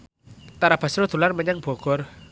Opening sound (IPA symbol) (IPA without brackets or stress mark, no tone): t̪